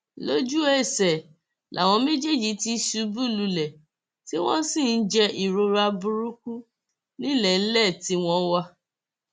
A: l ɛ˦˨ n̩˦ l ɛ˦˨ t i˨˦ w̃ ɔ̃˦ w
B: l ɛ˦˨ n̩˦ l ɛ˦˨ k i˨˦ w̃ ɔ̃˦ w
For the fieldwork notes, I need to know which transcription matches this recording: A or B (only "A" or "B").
A